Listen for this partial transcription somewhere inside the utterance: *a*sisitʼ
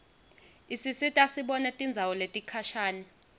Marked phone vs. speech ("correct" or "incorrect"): incorrect